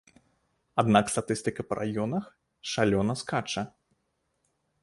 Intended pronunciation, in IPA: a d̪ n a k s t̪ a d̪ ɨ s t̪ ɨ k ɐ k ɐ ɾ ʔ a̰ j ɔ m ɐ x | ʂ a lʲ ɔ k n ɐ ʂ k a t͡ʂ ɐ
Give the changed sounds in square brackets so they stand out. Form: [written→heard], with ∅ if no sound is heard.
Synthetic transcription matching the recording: a d̪ n a k s t̪ a [d̪→t̪] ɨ s t̪ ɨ k ɐ [k→p] ɐ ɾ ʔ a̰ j ɔ [m→n] ɐ x | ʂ a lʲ ɔ [k→∅] n ɐ [ʂ→s] k a t͡ʂ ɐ